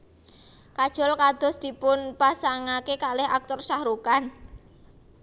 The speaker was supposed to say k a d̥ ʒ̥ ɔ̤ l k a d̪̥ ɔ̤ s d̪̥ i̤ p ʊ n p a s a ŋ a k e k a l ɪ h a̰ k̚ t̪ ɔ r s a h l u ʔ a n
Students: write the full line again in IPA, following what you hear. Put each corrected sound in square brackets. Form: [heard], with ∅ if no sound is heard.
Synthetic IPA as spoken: k a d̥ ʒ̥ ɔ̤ l k a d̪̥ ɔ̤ s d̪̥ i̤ p ʊ n p a s a ŋ a k e k a l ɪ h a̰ k̚ t̪ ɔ r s a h [ɾ] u [k] a n